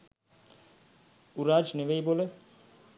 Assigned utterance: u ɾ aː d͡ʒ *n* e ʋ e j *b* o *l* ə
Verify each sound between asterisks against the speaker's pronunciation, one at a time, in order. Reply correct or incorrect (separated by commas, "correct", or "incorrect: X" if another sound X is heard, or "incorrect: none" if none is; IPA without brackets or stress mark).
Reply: correct, correct, correct